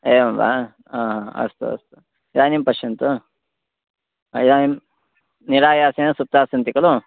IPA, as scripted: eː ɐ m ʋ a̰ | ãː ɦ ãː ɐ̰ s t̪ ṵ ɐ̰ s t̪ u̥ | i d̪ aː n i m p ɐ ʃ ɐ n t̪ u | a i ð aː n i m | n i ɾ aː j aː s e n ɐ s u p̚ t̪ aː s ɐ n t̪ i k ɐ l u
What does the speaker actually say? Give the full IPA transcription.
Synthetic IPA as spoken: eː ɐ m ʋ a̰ | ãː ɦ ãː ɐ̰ s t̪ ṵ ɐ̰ s t̪ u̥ | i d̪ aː n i m p ɐ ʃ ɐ n t̪ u | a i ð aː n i m | n i ɾ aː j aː s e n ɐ s u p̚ t̪ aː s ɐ n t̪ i k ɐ l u